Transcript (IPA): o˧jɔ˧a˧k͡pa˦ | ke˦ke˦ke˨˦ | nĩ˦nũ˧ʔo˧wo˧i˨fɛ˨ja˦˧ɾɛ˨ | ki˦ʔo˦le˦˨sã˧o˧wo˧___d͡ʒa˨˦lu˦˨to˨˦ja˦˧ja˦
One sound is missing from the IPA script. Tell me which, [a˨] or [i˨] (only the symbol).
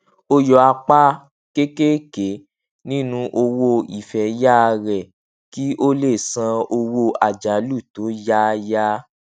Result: a˨